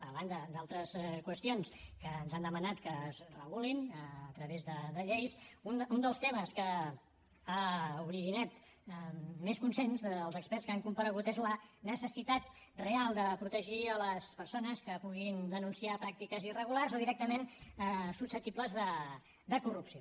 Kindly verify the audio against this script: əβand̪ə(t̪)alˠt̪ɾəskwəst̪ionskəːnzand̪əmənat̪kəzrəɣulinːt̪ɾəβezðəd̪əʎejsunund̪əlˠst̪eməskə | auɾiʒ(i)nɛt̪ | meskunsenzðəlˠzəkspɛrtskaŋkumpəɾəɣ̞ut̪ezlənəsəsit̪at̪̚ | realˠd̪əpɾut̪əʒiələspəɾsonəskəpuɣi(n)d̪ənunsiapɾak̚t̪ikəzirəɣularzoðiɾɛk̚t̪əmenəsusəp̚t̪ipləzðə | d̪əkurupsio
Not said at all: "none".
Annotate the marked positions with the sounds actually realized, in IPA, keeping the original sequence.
d̪, i, n

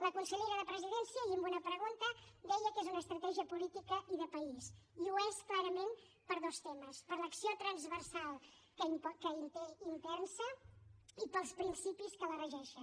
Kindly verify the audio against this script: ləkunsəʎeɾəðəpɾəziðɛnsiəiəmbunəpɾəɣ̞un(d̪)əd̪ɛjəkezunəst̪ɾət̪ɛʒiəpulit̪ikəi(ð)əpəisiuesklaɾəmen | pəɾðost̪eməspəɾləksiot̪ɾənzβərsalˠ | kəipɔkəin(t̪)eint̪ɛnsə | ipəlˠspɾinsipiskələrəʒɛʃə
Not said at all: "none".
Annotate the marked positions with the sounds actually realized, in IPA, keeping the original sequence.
t̪, ð, t̪

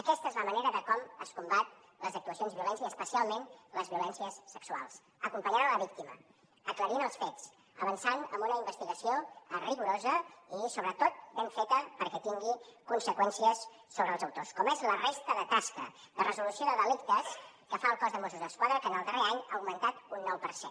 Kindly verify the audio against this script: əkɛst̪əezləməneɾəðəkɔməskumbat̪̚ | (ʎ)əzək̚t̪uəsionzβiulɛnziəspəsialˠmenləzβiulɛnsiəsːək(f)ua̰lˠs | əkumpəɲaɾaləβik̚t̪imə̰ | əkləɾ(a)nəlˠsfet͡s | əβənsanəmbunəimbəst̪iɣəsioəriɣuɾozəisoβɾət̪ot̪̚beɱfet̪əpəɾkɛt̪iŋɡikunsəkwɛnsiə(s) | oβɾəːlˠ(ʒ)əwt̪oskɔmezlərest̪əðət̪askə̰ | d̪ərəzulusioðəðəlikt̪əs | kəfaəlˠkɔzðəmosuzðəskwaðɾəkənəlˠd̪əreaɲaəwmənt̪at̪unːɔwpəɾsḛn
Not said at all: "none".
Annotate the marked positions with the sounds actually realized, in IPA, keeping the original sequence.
l, s, i, sː, z

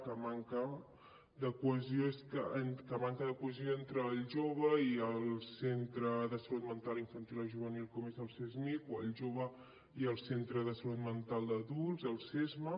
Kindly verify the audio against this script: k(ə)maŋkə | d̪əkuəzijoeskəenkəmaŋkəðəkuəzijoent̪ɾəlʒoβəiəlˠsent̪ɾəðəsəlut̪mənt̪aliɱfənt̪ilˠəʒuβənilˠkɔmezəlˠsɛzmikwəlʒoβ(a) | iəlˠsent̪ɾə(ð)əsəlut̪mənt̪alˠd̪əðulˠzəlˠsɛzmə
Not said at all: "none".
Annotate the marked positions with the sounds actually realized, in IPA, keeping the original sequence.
ə, ə, ð

